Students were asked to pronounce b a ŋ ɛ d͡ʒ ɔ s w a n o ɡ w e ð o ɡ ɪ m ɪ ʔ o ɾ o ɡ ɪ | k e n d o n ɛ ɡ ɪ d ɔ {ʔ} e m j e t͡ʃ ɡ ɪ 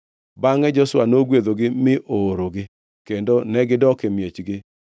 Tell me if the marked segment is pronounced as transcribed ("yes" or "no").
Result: no